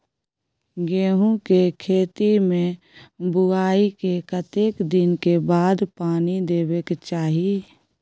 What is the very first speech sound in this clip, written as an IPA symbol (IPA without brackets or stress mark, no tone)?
ɡ